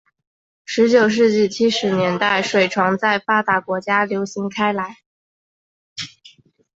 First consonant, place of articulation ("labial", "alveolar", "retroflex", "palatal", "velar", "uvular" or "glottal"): retroflex